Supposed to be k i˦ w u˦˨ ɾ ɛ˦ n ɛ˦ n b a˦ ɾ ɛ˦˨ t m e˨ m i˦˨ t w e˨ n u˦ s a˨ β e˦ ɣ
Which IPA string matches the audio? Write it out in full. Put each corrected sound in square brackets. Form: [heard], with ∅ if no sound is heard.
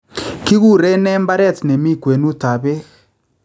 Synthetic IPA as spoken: k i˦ [ɣ] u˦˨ ɾ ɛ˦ n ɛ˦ [m] b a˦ ɾ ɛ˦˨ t [n] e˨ m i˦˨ [k] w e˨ n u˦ [t] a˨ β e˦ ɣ